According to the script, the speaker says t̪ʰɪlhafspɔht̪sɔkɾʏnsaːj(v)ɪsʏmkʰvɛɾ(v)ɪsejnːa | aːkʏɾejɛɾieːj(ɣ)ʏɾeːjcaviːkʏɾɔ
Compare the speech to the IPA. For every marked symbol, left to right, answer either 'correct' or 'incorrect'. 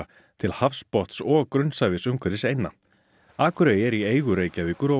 correct, incorrect: ð, correct

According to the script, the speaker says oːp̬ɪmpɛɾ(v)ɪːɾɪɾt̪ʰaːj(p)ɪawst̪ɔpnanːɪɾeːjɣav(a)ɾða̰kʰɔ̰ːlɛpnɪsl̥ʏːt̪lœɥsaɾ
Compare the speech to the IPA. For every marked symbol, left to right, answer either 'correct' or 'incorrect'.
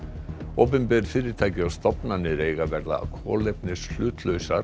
incorrect: f, incorrect: c, incorrect: ɛ

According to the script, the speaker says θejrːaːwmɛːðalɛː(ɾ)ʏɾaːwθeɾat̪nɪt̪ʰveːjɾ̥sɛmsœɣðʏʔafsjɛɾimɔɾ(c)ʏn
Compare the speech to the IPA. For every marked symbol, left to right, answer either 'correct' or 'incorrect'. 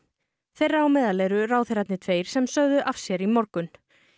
correct, incorrect: k

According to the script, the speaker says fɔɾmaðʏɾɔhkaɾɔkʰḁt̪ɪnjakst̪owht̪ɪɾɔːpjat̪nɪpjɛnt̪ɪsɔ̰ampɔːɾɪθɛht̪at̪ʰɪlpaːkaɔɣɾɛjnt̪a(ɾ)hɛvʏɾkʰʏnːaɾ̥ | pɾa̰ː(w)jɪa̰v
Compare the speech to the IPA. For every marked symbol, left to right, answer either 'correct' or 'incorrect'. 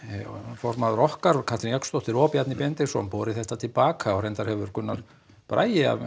correct, incorrect: none

